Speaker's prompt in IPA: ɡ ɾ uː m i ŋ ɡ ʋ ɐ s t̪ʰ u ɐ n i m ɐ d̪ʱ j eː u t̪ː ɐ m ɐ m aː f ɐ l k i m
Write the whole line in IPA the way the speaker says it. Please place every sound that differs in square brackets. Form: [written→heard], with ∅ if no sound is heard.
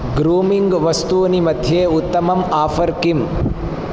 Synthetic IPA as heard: ɡ ɾ uː m i ŋ ɡ ʋ ɐ s [t̪ʰ→t̪] u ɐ n i m ɐ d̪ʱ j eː u t̪ː ɐ m ɐ m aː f ɐ [l→ɾ] k i m